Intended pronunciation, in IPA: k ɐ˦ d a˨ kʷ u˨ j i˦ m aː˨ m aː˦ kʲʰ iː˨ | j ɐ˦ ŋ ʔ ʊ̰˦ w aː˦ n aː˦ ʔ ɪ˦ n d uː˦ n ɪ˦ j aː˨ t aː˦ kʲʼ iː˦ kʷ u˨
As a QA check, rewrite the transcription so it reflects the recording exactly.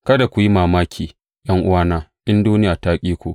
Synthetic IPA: k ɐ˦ d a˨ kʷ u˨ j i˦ m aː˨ m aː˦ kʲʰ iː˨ | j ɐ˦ ŋ ʔ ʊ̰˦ w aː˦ n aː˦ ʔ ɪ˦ n d uː˦ n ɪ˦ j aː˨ t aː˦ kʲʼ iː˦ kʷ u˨